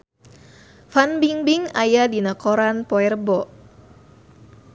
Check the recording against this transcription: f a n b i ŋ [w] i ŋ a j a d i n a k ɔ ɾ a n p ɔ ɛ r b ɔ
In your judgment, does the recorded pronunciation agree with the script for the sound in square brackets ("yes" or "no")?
no